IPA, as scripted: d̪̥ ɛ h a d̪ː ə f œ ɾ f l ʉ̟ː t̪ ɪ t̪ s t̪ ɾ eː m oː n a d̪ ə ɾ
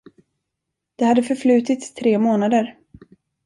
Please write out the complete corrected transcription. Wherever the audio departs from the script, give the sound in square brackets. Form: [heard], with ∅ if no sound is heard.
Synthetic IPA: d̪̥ ɛ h a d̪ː ə f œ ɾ f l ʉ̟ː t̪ ɪ t̪ s [t̪ʰ] ɾ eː m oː n a d̪ ə ɾ